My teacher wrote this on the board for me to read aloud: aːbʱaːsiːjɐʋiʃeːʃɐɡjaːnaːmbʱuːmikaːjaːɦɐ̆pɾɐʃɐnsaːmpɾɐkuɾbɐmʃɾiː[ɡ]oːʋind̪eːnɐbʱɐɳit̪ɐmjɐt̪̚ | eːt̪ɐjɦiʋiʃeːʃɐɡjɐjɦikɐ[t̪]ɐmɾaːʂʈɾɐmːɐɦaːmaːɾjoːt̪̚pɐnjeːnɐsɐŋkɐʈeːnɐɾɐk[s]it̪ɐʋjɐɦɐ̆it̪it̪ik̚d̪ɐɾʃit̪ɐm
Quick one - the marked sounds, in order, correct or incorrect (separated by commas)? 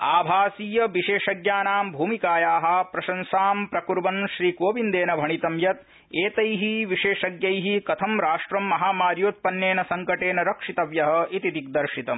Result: incorrect, incorrect, incorrect